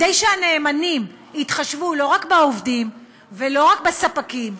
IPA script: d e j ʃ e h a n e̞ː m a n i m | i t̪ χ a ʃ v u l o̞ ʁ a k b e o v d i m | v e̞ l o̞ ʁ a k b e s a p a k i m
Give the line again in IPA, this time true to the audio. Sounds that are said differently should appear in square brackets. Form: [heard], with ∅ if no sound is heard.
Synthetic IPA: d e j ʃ e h a n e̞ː m a n i m | i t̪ χ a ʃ v u l o̞ ʁ a k b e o v d i m | v e̞ l o̞ ʁ a k b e s a p a k i m

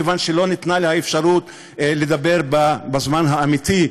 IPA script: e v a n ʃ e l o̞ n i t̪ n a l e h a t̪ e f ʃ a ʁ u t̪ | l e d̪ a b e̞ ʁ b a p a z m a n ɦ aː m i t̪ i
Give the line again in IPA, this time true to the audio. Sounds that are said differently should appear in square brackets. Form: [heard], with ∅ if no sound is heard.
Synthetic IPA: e v a n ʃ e l o̞ n i t̪ n a l e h a [∅] e f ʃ a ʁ u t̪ | l e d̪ a b e̞ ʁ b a [b] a z m a n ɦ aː m i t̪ i

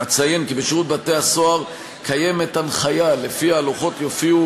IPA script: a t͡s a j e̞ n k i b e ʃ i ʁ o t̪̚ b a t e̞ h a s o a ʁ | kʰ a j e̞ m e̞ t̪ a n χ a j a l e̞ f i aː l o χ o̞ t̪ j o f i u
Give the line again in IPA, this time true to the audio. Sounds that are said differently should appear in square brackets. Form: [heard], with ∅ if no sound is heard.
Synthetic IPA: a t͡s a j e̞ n k i b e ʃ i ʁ [u] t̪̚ b a t e̞ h a s o a ʁ | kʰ a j e̞ m e̞ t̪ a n χ a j a l e̞ f i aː l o χ o̞ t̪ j o f i u

